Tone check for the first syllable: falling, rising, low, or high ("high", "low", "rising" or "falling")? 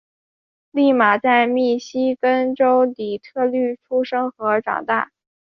falling